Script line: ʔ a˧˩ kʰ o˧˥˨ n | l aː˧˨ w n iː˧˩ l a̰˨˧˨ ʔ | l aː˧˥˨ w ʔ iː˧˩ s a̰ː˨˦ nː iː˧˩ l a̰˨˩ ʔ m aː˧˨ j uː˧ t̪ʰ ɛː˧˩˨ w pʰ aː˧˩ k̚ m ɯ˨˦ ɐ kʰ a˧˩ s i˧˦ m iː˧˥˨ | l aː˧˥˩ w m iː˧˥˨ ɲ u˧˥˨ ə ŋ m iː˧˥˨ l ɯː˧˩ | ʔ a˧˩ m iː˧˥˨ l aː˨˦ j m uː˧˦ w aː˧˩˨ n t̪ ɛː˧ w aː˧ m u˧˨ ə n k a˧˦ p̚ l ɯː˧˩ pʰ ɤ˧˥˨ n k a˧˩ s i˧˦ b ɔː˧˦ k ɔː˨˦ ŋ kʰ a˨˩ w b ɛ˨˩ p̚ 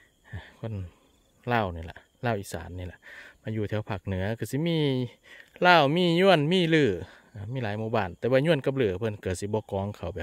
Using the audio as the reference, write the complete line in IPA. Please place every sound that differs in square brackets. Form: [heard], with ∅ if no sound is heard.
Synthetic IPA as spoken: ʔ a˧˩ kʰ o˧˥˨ n | l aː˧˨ w n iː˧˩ l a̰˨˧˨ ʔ | l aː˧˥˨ w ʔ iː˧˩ s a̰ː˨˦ nː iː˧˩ l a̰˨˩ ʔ m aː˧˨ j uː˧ t̪ʰ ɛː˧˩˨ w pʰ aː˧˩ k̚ [n] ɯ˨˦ ɐ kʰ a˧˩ s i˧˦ m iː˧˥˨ | l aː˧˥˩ w m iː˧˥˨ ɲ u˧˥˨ ə [n] m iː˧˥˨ l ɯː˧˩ | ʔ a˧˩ m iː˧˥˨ l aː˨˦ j m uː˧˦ [b] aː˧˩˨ n t̪ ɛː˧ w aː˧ [ɲ] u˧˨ ə n k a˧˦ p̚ l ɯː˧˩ pʰ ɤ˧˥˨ n k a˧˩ s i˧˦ b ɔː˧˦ k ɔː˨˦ ŋ kʰ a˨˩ w b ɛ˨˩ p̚

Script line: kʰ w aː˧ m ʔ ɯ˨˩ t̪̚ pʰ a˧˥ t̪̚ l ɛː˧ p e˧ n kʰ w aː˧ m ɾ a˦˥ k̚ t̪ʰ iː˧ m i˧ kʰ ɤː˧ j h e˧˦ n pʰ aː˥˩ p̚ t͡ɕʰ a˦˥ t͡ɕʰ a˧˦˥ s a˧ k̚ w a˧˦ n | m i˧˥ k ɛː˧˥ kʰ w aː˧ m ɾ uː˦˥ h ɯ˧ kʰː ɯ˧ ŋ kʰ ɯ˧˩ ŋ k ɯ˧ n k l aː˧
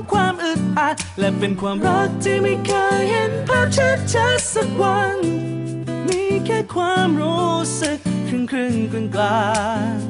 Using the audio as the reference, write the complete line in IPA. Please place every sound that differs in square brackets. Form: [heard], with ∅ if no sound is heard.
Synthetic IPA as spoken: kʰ w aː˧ m ʔ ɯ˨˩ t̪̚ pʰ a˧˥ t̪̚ l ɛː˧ p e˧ n kʰ w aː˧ m ɾ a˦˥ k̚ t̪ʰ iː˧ m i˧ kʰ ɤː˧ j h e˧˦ n pʰ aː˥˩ p̚ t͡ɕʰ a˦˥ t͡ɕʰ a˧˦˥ s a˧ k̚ w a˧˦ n | m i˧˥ k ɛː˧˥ kʰ w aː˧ m ɾ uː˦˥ [s] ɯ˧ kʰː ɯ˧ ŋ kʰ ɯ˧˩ ŋ k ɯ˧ n k l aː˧

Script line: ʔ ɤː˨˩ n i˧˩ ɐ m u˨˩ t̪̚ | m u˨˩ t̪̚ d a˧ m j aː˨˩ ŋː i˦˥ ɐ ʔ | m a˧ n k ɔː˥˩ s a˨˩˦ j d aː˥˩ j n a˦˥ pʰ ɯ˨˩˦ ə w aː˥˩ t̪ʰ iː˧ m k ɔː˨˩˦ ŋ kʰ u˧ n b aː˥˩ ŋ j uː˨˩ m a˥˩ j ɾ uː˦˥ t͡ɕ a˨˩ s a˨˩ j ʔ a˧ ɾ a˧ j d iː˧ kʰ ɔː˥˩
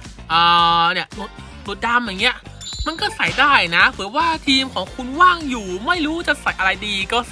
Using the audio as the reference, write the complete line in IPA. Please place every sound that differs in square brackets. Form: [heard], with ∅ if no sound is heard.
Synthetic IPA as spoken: ʔ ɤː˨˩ n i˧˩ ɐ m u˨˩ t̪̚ | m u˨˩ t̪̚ d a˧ m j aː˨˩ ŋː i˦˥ ɐ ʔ | m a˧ n k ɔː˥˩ s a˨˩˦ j d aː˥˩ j n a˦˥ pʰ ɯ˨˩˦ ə w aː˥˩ t̪ʰ iː˧ m [kʰ] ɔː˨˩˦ ŋ kʰ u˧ n [w] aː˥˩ ŋ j uː˨˩ m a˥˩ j ɾ uː˦˥ t͡ɕ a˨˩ s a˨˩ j ʔ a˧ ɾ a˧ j d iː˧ [k] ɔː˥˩

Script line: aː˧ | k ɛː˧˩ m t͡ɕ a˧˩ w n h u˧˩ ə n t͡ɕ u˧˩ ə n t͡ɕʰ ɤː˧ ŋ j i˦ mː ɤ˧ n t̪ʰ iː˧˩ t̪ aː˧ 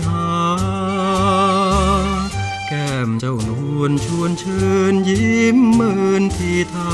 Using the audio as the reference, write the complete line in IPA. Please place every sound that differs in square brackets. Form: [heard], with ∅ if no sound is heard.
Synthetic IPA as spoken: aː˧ | k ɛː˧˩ m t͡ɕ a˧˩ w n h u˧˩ ə n [t͡ɕʰ] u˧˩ ə n t͡ɕʰ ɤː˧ [n] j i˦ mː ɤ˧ n t̪ʰ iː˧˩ [t̪ʰ] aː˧

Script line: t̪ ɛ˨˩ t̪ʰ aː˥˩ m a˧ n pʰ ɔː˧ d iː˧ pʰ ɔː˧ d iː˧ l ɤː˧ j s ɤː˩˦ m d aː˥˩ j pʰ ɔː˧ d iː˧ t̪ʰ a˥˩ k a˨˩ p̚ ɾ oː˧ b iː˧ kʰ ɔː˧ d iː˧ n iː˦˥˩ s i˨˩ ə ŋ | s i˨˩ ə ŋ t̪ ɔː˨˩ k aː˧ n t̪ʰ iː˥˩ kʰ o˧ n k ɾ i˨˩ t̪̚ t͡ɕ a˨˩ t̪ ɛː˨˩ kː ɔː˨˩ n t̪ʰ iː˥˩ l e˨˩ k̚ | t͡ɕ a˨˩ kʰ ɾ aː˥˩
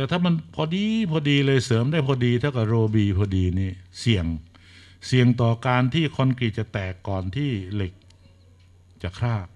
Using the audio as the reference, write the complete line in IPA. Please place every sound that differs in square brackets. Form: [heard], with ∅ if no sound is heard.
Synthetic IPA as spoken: t̪ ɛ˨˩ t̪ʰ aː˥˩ m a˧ n pʰ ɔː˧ d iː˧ pʰ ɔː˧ d iː˧ l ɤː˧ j s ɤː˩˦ m d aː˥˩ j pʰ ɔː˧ d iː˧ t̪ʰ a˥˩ k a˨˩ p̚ ɾ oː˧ b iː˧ [pʰ] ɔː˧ d iː˧ n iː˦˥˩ s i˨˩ ə ŋ | s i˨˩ ə ŋ t̪ ɔː˨˩ k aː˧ n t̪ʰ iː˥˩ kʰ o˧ n k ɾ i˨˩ t̪̚ t͡ɕ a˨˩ t̪ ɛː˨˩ kː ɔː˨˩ n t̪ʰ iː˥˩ l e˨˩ k̚ | t͡ɕ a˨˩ kʰ ɾ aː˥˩

